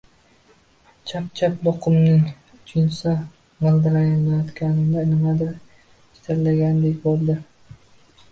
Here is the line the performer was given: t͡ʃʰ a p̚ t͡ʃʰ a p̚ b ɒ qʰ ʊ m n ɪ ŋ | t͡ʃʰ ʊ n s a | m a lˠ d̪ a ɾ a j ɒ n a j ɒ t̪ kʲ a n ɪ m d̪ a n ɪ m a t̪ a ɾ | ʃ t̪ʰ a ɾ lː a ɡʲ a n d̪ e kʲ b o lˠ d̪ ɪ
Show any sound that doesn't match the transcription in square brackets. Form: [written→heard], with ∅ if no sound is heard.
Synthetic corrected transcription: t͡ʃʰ a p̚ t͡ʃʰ a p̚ b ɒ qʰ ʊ m n ɪ ŋ | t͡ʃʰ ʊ n s a | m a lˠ d̪ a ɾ a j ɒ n a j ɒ t̪ kʲ a n ɪ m d̪ a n ɪ m a [t̪→d̪] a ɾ | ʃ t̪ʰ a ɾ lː a ɡʲ a n d̪ e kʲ b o lˠ d̪ ɪ